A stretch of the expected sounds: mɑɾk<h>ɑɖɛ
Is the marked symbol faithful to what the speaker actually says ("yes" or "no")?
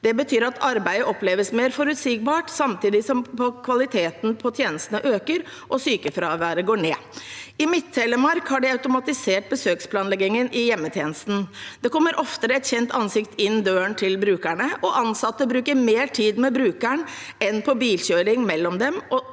yes